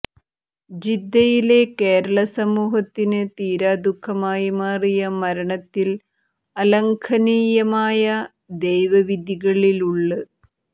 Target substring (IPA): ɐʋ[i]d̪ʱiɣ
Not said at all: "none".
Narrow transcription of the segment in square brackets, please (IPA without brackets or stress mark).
i